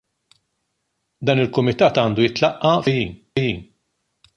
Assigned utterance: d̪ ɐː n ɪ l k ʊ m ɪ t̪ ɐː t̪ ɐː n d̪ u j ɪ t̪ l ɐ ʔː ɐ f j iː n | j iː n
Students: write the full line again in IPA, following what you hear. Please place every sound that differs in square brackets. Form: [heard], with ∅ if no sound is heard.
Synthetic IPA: d̪ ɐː n ɪ l k ʊ m ɪ t̪ ɐː t̪ ɐː n d̪ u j ɪ t̪ l ɐ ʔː ɐ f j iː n | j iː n